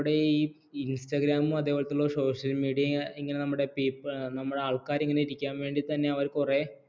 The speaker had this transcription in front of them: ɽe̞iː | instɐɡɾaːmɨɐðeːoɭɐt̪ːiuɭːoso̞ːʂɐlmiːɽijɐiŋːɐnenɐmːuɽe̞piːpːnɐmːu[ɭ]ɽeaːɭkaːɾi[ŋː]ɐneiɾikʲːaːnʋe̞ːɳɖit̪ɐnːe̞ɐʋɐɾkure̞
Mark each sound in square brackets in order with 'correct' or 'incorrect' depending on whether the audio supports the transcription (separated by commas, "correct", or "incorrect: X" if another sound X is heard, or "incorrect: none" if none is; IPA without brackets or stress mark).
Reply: incorrect: none, correct